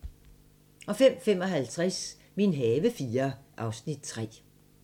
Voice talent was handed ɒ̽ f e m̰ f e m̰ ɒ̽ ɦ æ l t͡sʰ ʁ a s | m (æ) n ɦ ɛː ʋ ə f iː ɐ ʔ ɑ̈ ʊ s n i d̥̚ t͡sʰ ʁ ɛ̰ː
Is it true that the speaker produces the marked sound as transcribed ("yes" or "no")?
no